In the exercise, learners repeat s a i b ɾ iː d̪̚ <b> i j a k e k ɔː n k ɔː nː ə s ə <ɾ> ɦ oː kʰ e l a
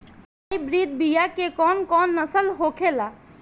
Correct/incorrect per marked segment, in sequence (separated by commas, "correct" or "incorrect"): correct, incorrect